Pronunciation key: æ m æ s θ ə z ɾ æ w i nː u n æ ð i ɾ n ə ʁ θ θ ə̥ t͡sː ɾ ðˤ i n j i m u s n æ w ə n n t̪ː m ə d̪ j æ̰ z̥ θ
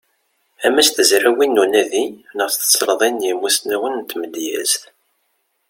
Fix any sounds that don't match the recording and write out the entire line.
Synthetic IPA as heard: æ m æ s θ ə z ɾ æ w i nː u n æ ð i n ə ʁ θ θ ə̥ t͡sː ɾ ðˤ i n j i m u s n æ w ə n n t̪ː m ə d̪ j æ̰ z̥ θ